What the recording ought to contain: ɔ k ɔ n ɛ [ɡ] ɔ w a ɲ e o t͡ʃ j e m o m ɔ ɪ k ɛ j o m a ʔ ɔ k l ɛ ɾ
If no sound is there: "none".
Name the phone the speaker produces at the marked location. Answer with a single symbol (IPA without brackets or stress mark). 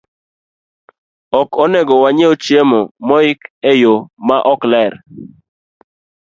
ɡ